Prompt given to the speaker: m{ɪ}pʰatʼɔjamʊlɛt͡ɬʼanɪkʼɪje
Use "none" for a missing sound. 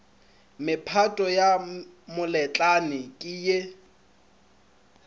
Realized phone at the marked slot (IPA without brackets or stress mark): ɪ